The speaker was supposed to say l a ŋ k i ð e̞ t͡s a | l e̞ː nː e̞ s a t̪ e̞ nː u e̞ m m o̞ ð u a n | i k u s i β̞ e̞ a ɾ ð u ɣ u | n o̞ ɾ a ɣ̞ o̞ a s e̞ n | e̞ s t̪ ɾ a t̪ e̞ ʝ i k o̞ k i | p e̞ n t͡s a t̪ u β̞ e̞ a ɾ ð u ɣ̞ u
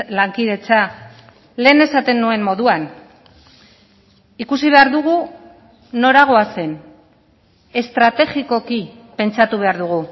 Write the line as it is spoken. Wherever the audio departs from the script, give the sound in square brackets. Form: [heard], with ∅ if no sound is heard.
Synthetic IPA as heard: l a ŋ k i ð e̞ t͡s a | l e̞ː [n] e̞ s a t̪ e̞ nː u e̞ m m o̞ ð u a n | i k u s i β̞ e̞ a ɾ ð u ɣ u | n o̞ ɾ a ɣ̞ o̞ a s e̞ n | e̞ s t̪ ɾ a t̪ e̞ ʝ i k o̞ k i | p e̞ n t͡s a t̪ u β̞ e̞ a ɾ ð u ɣ̞ u